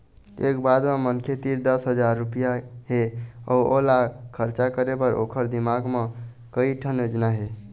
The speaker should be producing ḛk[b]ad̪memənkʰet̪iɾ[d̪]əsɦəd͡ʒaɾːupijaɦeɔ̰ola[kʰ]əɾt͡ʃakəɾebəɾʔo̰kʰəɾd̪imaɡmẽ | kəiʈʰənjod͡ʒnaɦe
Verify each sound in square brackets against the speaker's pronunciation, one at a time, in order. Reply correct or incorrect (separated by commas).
correct, correct, correct